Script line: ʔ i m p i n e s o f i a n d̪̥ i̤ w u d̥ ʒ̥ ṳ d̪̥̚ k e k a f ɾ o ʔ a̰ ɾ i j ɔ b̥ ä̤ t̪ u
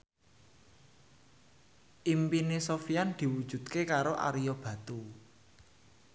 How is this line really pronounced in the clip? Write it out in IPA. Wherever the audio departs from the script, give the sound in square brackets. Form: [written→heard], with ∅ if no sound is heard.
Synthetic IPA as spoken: ʔ i m p i n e s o f i a n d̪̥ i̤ w u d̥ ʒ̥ ṳ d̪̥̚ k e k a [f→∅] ɾ o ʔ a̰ ɾ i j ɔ b̥ ä̤ t̪ u